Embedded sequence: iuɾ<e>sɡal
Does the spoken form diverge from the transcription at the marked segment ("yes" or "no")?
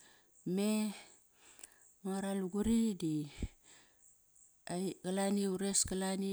no